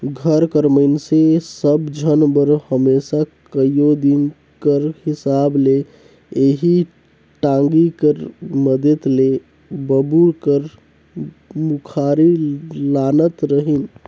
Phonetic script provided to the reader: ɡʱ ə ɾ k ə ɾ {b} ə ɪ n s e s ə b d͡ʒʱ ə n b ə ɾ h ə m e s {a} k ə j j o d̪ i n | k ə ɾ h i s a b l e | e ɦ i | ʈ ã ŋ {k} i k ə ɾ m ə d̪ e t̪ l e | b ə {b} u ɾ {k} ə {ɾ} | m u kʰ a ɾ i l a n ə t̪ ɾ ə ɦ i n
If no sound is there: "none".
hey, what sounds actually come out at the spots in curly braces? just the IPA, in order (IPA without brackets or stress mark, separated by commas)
m, a, ɡ, b, k, ɾ